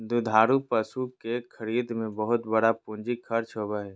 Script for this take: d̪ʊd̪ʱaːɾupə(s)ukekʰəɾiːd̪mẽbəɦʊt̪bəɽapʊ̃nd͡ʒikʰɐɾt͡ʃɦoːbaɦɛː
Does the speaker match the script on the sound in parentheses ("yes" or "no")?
yes